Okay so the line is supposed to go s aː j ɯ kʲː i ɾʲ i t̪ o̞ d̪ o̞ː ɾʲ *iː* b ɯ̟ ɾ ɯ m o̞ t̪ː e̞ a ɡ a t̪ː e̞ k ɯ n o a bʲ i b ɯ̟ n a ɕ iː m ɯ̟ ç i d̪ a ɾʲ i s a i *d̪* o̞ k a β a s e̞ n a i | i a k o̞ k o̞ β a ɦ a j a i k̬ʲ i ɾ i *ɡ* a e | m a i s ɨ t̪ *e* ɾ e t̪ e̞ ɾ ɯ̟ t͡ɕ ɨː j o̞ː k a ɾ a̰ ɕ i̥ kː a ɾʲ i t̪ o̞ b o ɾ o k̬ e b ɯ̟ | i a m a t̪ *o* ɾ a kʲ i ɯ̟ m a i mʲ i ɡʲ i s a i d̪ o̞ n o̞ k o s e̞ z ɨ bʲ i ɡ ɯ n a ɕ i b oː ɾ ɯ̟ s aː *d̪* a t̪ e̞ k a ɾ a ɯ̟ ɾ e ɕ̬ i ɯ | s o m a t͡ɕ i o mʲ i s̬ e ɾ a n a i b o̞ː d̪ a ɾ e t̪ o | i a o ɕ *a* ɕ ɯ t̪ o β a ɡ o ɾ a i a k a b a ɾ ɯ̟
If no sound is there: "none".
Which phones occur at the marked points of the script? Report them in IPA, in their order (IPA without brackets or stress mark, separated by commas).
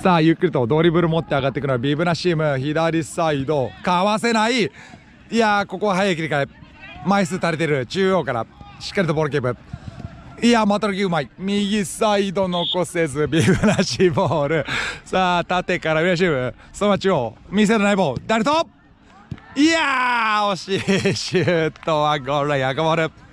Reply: i, d̪, k, a, o, t̪, i